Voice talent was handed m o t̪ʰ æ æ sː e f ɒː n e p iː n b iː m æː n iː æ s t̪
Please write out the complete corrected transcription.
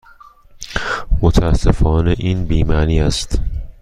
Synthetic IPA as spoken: m o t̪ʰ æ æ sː e f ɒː n e ʔ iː n b iː m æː n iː æ s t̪